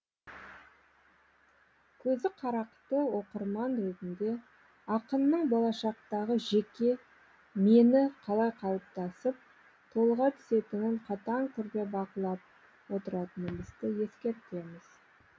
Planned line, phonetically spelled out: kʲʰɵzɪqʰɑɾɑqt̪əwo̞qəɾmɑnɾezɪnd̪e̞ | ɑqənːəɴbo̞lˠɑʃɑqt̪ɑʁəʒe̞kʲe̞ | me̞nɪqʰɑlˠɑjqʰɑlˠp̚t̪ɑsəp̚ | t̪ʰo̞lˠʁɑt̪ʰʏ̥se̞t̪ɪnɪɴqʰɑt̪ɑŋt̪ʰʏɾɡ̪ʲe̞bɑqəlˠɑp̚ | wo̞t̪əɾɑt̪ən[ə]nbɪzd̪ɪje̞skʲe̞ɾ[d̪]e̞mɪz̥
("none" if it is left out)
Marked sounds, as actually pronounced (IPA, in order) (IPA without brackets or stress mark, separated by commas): ə, t̪